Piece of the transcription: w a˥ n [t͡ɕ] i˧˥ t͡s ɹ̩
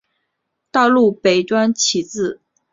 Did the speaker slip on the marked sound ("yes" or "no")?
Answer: yes